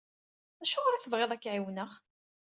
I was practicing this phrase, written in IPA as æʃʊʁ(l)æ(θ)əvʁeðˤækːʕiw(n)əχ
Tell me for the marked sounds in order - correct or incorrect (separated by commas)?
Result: incorrect, correct, correct